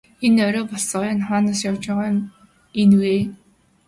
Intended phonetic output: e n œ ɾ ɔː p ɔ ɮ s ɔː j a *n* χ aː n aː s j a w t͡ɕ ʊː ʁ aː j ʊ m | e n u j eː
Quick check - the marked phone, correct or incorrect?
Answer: correct